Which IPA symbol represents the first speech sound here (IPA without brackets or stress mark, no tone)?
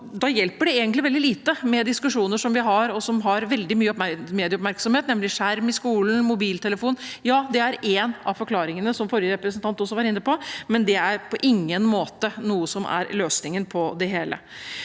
d̪